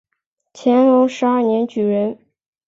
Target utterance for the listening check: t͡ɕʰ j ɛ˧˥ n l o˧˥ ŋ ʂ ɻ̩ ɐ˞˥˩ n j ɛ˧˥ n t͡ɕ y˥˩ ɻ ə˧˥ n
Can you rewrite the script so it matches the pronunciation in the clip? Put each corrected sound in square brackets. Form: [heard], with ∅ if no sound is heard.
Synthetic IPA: t͡ɕʰ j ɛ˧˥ n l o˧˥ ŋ ʂ ɻ̩ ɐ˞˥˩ n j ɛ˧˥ n t͡ɕ [y˨˩] ɻ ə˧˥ n